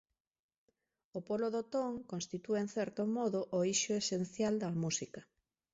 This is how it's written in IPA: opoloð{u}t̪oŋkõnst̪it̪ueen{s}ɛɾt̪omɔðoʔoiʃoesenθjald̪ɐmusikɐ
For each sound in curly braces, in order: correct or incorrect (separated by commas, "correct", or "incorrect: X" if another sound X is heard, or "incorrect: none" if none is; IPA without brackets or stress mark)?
incorrect: o, incorrect: θ